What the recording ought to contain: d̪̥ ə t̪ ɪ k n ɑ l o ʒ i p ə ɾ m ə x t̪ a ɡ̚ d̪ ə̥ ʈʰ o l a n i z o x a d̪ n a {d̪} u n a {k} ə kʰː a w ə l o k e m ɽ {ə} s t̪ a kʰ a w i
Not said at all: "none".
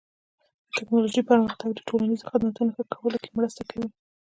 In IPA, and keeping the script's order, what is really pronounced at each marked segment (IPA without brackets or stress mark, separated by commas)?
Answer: t̪, x, ə